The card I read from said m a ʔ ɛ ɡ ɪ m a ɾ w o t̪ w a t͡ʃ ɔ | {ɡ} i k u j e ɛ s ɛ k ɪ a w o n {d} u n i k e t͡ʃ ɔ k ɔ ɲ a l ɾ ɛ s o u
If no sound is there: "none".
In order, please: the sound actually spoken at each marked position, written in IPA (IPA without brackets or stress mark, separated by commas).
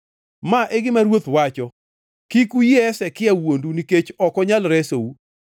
k, d